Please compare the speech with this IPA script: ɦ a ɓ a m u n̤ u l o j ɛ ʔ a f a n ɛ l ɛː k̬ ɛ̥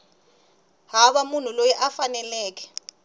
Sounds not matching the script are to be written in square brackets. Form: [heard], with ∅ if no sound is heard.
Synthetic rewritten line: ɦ a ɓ a m u n̤ u l o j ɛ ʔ a f a n ɛ l ɛː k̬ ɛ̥